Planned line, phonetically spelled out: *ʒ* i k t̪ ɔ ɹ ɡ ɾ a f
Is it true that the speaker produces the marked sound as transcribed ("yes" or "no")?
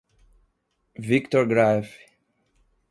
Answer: no